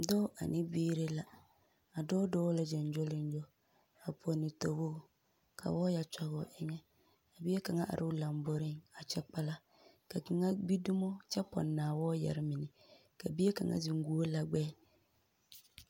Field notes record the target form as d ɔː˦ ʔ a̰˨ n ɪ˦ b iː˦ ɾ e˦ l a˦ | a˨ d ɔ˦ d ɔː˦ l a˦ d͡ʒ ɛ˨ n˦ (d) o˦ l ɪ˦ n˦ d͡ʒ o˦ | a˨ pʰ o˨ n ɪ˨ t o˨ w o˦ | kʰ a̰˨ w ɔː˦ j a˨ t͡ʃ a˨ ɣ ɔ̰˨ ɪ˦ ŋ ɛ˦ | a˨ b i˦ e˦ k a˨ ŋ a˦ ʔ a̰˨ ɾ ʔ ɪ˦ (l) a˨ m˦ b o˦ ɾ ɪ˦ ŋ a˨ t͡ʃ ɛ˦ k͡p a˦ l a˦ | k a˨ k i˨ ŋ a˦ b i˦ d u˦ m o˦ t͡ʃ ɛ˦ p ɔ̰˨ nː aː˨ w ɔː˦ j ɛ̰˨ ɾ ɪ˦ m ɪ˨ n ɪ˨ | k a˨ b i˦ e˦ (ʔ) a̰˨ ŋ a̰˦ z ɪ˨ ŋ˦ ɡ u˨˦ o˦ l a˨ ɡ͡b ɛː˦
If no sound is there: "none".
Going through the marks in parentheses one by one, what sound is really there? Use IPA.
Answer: d͡ʒ, l, k

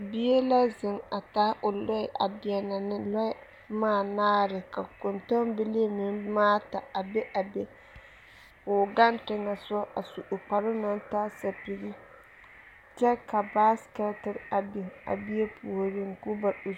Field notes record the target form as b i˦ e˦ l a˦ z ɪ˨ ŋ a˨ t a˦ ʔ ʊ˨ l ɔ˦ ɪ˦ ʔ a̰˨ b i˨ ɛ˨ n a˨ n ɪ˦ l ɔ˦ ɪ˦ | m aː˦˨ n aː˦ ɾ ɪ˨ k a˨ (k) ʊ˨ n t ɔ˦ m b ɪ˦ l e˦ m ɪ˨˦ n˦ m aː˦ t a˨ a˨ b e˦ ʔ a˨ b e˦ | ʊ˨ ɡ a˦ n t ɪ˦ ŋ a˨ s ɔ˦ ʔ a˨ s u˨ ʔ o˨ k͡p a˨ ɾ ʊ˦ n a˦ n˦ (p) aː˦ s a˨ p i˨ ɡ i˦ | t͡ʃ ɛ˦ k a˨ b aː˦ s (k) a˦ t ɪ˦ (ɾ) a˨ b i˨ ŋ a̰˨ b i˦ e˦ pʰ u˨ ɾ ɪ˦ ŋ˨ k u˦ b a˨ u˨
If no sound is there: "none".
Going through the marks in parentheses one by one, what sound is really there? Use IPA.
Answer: k, t, k, ɾ

